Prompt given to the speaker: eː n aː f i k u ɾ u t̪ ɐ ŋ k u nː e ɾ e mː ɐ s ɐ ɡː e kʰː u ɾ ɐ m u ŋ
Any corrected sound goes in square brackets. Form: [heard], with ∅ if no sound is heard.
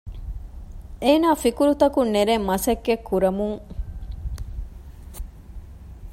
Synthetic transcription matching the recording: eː n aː f i k u ɾ u t̪ ɐ [∅] k u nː e ɾ e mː ɐ s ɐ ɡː e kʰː u ɾ ɐ m u ŋ